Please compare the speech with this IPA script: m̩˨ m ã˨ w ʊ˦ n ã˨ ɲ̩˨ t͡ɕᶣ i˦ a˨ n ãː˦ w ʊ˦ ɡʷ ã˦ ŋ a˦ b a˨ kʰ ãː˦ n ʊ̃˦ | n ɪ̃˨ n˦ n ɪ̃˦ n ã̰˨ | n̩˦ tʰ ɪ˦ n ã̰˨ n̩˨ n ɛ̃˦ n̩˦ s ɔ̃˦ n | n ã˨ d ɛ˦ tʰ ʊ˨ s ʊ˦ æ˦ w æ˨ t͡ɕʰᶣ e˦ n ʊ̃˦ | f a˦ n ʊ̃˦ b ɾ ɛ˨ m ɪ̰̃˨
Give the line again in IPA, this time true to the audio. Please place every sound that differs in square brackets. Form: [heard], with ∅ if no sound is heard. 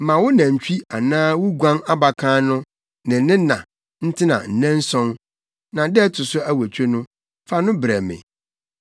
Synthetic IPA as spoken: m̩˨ m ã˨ w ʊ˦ n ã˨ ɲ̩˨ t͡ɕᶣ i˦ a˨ n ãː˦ w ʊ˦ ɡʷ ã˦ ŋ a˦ b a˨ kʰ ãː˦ n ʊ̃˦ | n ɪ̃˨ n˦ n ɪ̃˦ n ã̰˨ | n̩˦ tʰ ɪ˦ n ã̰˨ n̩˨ n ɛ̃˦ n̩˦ s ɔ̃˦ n | n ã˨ d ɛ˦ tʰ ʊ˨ s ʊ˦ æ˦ w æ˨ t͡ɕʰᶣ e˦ n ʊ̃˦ | f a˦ n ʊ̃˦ b ɾ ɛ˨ m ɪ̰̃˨